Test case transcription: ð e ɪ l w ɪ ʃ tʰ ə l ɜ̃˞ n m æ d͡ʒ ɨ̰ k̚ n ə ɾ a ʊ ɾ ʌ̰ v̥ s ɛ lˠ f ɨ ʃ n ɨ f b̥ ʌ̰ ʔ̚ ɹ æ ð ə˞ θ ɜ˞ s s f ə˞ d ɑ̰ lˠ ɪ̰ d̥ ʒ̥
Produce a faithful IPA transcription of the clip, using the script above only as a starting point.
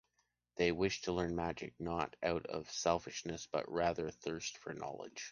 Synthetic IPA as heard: ð e ɪ w ɪ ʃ tʰ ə l ɜ̃˞ n m æ d͡ʒ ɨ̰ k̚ n ə ɾ a ʊ ɾ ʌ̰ v̥ s ɛ lˠ f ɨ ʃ n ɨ s b̥ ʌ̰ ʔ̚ ɹ æ ð ə˞ θ ɜ˞ s t f ə˞ n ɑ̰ lˠ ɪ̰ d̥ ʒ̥